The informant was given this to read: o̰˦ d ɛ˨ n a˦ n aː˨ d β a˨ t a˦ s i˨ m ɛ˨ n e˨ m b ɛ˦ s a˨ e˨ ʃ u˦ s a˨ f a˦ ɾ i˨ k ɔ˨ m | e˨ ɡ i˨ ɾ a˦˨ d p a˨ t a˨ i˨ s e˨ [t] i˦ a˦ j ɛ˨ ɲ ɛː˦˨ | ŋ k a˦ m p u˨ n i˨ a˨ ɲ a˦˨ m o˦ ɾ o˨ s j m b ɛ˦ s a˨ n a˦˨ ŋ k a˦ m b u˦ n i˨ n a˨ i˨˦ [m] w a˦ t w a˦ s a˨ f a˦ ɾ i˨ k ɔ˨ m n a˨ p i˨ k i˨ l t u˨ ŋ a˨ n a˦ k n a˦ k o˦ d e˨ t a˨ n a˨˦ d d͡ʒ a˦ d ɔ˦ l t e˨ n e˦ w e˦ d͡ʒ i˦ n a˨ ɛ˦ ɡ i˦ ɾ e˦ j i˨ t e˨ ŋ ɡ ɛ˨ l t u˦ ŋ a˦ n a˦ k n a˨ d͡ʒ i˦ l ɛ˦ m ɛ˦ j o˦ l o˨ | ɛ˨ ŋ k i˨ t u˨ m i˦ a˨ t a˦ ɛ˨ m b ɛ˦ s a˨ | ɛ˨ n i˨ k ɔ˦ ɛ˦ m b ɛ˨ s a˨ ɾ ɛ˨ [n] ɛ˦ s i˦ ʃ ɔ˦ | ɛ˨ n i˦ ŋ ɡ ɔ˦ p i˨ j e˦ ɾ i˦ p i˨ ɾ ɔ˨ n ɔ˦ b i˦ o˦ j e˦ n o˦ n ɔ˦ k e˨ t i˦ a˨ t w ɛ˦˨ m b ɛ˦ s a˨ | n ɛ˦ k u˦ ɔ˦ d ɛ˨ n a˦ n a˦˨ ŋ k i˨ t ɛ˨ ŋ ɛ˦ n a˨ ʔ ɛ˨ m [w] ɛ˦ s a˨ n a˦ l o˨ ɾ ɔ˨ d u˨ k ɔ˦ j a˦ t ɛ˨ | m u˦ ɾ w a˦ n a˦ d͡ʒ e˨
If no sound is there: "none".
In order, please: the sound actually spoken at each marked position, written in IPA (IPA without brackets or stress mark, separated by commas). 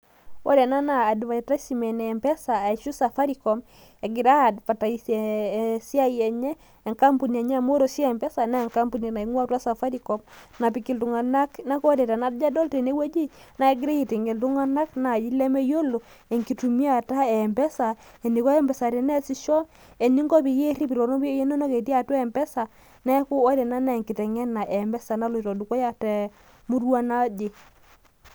s, ŋ, n, b